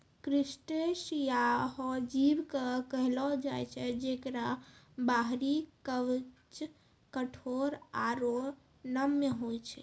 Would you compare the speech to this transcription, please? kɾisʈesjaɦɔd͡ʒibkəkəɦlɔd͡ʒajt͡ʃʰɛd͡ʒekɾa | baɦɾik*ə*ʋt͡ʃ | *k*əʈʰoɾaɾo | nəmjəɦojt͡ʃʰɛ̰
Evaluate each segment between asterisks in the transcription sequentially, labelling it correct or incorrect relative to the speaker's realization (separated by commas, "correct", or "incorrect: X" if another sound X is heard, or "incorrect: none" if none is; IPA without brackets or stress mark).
correct, correct